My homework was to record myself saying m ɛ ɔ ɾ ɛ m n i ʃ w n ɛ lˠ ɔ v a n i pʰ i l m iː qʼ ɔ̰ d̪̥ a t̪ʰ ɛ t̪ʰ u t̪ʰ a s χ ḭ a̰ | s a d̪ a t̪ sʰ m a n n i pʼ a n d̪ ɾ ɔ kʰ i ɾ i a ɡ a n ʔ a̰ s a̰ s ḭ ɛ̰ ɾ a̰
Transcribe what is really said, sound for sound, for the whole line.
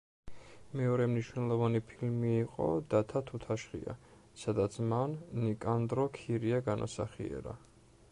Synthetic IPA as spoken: m ɛ ɔ ɾ ɛ m n i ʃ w n ɛ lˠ ɔ v a n i pʰ i l m iː qʼ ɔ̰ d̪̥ a t̪ʰ a t̪ʰ u t̪ʰ a ʃ χ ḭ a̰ | s a d̪ a t̪ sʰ m a n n i kʼ a n d̪ ɾ ɔ kʰ i ɾ i a ɡ a n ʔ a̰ s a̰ χ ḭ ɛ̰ ɾ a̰